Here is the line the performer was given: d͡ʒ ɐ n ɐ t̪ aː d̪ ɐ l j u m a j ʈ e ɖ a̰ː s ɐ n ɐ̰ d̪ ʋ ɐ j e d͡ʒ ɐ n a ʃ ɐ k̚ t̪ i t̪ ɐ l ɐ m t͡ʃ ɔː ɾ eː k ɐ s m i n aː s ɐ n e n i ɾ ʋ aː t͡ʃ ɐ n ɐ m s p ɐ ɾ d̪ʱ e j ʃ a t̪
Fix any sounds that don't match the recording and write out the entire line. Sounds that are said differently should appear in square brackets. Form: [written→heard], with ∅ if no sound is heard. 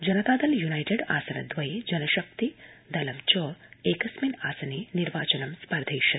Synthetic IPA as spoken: d͡ʒ ɐ n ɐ t̪ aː d̪ ɐ l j u [m→n] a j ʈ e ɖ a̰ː s ɐ n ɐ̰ d̪ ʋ ɐ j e d͡ʒ ɐ n [a→ɐ] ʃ ɐ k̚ t̪ i [t̪→d̪] ɐ l ɐ m t͡ʃ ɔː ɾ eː k ɐ s m i n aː s ɐ n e n i ɾ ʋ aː t͡ʃ ɐ n ɐ m s p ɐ ɾ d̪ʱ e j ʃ [a→ɐ] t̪

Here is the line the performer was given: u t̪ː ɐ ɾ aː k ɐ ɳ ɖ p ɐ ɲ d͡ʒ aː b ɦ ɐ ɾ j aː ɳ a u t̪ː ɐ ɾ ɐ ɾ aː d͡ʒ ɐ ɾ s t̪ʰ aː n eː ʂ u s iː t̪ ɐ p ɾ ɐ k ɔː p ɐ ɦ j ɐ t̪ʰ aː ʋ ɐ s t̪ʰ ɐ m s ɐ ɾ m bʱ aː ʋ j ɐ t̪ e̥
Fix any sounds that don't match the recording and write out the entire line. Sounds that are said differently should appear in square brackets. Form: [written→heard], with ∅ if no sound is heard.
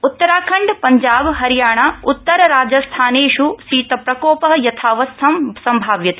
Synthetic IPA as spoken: u t̪ː ɐ ɾ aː [k→kʰ] ɐ ɳ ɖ p ɐ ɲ d͡ʒ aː b ɦ ɐ ɾ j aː ɳ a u t̪ː ɐ ɾ ɐ ɾ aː d͡ʒ ɐ [ɾ→∅] s t̪ʰ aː n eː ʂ u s iː t̪ ɐ p ɾ ɐ k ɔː p ɐ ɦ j ɐ t̪ʰ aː ʋ ɐ s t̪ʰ ɐ m s ɐ [ɾ→∅] m bʱ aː ʋ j ɐ t̪ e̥

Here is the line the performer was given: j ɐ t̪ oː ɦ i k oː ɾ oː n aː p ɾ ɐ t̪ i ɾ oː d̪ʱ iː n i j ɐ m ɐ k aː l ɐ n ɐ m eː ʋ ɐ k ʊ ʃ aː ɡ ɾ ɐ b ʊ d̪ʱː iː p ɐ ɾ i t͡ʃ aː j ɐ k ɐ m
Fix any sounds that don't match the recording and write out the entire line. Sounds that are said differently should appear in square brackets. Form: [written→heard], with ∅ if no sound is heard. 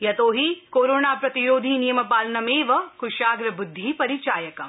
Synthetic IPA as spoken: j ɐ t̪ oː ɦ i k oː ɾ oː n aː p ɾ ɐ t̪ i ɾ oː d̪ʱ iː n i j ɐ m ɐ [k→p] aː l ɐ n ɐ m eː ʋ ɐ k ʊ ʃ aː ɡ ɾ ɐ b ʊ d̪ʱː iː p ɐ ɾ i t͡ʃ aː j ɐ k ɐ m

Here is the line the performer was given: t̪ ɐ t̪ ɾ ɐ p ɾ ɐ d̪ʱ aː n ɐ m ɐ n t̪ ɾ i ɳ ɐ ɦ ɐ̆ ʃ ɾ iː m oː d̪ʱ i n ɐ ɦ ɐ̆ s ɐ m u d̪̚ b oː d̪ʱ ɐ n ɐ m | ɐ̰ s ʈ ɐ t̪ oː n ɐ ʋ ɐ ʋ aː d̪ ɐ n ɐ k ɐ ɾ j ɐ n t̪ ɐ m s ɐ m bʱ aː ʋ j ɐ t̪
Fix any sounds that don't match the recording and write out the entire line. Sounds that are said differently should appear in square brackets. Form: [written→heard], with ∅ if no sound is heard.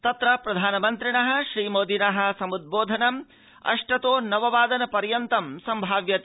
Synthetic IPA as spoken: t̪ ɐ t̪ ɾ ɐ p ɾ ɐ d̪ʱ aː n ɐ m ɐ n t̪ ɾ i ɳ ɐ ɦ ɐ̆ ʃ ɾ iː m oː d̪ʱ i n ɐ ɦ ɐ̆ s ɐ m u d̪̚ b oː d̪ʱ ɐ n ɐ m | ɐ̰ [s→ʂ] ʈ ɐ t̪ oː n ɐ ʋ ɐ ʋ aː d̪ ɐ n ɐ [k→p] ɐ ɾ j ɐ n t̪ ɐ m s ɐ m bʱ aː ʋ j ɐ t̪

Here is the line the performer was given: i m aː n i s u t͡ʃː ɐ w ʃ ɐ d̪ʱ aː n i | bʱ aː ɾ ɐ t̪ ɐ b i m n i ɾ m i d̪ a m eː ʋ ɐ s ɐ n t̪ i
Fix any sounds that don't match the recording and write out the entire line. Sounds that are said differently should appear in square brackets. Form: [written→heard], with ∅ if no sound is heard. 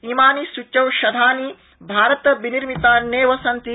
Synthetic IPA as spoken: i m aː n i s u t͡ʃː ɐ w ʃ ɐ d̪ʱ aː n i | bʱ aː ɾ ɐ t̪ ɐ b i [m→∅] n i ɾ m i [d̪→t̪] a [m→n] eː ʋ ɐ s ɐ n t̪ i

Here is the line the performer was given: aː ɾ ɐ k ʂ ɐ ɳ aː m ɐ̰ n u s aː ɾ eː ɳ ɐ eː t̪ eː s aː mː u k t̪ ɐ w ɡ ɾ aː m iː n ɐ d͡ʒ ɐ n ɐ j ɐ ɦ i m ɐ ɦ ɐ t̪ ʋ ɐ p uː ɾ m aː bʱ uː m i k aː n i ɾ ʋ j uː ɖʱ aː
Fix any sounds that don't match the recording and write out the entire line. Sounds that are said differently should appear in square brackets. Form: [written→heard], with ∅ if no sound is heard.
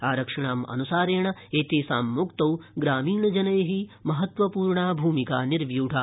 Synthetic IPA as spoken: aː ɾ ɐ k ʂ ɐ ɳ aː m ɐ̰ n u s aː ɾ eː ɳ ɐ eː t̪ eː s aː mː u k t̪ ɐ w ɡ ɾ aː m iː [n→ɳ] ɐ d͡ʒ ɐ n ɐ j ɐ ɦ i m ɐ ɦ ɐ t̪ ʋ ɐ p uː ɾ [m→ɳ] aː bʱ uː m i k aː n i ɾ ʋ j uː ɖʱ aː

